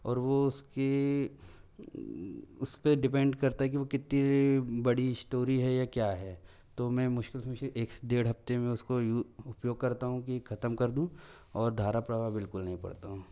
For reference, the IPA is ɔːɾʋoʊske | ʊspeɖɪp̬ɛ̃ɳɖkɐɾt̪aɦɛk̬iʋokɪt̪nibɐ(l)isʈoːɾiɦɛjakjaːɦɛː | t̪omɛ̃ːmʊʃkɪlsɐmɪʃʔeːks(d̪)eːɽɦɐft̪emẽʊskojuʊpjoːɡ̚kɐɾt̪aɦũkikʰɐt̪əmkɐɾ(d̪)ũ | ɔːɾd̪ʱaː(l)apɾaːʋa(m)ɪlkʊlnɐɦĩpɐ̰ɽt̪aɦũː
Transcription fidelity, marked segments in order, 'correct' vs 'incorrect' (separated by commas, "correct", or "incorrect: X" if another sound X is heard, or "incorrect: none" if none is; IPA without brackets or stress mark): incorrect: ɽ, correct, correct, incorrect: ɾ, incorrect: b